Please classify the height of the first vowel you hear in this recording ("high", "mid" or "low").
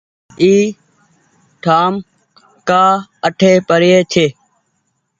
high